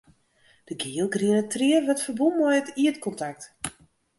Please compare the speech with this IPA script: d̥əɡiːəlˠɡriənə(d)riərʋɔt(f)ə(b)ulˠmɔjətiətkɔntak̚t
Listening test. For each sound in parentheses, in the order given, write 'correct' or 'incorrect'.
incorrect: t, correct, correct

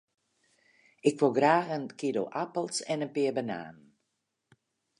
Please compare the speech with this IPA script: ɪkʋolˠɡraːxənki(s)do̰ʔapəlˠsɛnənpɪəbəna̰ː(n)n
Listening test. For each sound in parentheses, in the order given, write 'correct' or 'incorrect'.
incorrect: none, correct

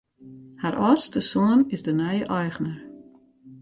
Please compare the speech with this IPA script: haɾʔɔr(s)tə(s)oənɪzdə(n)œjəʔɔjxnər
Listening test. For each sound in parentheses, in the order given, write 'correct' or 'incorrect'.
correct, correct, correct

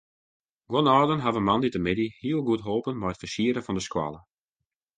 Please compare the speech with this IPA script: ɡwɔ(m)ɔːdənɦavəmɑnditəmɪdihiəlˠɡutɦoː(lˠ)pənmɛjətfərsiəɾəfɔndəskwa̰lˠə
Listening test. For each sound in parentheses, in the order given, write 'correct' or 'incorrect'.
incorrect: n, incorrect: none

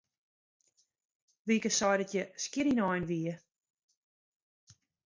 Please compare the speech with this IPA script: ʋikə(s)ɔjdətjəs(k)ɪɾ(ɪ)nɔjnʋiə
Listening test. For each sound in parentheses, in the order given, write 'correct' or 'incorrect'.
correct, correct, incorrect: i

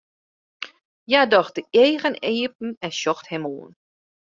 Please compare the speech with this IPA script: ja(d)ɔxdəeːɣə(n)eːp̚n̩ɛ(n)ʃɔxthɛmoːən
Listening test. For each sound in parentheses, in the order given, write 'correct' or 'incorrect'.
correct, correct, correct

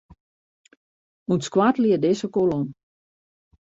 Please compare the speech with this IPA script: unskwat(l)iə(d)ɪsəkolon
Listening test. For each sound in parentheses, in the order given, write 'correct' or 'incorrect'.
correct, correct

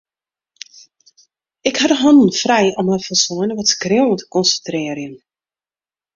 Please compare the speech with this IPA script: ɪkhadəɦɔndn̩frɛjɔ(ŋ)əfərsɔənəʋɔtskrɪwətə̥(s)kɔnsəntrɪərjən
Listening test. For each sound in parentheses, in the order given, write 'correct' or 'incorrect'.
incorrect: m, incorrect: none

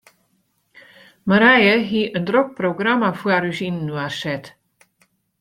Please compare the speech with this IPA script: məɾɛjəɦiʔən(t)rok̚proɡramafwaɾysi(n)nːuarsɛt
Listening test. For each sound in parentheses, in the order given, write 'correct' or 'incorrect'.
incorrect: d, correct

